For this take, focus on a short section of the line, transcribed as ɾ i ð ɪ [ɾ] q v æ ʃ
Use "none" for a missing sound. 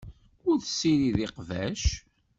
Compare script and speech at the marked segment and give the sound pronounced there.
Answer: none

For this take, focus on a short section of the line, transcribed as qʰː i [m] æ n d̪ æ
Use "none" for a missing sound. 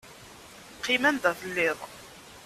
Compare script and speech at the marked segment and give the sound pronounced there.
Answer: m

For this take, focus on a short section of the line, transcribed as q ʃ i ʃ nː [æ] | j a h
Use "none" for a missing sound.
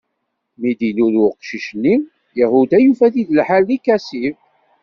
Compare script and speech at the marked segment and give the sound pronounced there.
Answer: i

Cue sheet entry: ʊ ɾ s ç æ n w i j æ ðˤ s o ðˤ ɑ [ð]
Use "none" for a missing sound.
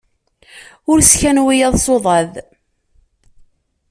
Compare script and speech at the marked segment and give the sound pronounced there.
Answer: ð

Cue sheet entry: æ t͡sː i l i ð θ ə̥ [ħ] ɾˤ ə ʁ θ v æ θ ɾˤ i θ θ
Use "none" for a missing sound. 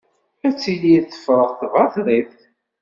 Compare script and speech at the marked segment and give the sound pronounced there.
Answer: f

